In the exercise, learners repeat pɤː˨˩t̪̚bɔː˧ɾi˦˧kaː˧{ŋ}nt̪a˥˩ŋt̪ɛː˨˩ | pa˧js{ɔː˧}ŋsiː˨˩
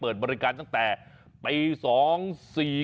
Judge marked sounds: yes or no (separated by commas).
no, no